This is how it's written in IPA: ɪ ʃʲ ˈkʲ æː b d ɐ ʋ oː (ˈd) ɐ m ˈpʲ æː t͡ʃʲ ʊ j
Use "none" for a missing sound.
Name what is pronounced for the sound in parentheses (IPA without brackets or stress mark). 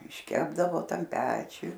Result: t